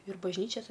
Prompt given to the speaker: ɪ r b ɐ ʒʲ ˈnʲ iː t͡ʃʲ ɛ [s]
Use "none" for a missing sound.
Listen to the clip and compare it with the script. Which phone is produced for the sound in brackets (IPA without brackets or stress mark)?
s